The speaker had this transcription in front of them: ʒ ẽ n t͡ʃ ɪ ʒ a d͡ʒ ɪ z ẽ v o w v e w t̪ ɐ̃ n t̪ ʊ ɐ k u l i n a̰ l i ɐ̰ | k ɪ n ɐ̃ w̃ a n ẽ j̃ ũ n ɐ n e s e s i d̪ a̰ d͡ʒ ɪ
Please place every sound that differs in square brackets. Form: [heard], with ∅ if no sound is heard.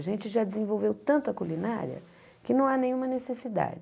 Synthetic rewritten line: ʒ ẽ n t͡ʃ ɪ ʒ a d͡ʒ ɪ z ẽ v o w v e w t̪ ɐ̃ n t̪ ʊ ɐ k u l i n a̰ [ɾ] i ɐ̰ | k ɪ n ɐ̃ w̃ a n ẽ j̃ ũ [m] ɐ n e s e s i d̪ a̰ d͡ʒ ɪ

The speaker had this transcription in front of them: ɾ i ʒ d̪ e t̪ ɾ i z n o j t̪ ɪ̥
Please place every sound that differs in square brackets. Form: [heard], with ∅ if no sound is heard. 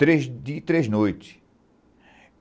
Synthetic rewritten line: ɾ [e] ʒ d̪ [i] t̪ ɾ [e] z n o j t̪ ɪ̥

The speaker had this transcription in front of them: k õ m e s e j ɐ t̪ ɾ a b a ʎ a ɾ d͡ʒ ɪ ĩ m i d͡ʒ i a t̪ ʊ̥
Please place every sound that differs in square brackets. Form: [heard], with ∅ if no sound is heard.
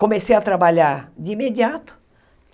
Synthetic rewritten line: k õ m e s e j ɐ t̪ ɾ a b a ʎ a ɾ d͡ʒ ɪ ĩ m [e] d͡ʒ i a t̪ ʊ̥

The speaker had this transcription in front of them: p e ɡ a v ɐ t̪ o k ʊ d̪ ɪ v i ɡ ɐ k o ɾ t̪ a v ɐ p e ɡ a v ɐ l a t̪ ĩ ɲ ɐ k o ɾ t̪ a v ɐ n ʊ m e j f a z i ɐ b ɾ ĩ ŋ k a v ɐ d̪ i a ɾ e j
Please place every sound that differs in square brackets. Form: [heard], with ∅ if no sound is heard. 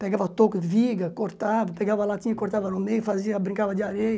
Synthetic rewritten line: p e ɡ a v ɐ t̪ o k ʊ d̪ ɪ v i ɡ ɐ k o ɾ t̪ a v ɐ p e ɡ a v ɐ l a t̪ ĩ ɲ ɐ k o ɾ t̪ a v ɐ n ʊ m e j f a z i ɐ b ɾ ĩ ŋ k a v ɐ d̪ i a ɾ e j

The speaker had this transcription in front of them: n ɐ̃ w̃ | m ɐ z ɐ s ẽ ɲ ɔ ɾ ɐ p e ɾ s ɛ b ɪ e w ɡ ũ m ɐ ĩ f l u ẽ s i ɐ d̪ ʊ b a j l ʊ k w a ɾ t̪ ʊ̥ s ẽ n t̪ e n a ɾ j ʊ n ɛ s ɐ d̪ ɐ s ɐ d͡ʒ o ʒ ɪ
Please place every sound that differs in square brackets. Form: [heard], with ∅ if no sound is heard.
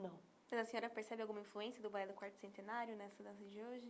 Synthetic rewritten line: n ɐ̃ w̃ | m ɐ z ɐ s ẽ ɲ ɔ ɾ ɐ p e ɾ s ɛ b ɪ [a] w ɡ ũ m ɐ ĩ f l u ẽ s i ɐ d̪ ʊ b a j l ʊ k w a ɾ t̪ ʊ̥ s ẽ n t̪ e n a ɾ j ʊ n ɛ s ɐ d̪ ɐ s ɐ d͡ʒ o ʒ ɪ

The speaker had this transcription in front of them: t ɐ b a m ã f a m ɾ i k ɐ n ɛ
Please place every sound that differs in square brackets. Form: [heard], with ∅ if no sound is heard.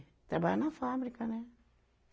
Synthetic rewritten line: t [a] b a [n] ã f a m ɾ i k [a] n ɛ

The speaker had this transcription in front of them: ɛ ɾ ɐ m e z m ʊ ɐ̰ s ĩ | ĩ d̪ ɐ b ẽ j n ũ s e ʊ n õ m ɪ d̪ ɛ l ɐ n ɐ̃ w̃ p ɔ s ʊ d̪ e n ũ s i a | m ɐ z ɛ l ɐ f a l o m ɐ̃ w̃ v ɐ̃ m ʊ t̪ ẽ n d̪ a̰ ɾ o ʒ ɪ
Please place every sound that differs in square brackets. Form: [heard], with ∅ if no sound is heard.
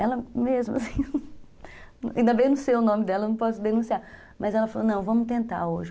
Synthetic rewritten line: ɛ [l] ɐ m e z m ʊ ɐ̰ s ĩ | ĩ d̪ ɐ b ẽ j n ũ s e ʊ n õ m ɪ d̪ ɛ l ɐ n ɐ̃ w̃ p ɔ s ʊ d̪ e n ũ s i a | m ɐ z ɛ l ɐ f a l o [n] ɐ̃ w̃ v ɐ̃ m ʊ t̪ ẽ n [t̪] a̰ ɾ o ʒ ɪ

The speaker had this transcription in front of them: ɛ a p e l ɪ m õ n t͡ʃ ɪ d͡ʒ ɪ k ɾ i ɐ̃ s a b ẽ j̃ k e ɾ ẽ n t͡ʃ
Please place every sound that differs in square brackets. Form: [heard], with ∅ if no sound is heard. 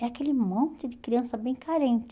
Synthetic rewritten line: ɛ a [k] e l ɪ m õ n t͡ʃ ɪ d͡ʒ ɪ k ɾ i ɐ̃ s [ɐ] b ẽ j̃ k [a] ɾ ẽ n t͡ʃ

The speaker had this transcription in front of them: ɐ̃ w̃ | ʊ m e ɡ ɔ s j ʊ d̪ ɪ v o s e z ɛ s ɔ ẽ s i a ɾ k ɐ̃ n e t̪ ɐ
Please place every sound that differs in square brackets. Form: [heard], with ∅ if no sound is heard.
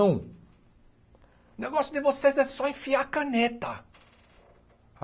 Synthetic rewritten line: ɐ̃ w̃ | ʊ [n] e ɡ ɔ s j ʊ d̪ ɪ v o s e z ɛ s ɔ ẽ [f] i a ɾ k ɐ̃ n e t̪ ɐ

